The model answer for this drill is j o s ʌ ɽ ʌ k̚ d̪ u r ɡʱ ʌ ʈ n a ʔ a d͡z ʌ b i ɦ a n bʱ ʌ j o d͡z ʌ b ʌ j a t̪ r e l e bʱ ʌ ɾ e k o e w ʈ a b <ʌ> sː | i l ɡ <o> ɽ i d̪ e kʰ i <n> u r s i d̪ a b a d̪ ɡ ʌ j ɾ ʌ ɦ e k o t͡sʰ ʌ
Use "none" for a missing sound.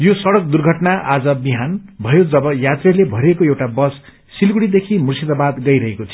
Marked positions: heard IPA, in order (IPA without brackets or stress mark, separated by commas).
ʌ, u, m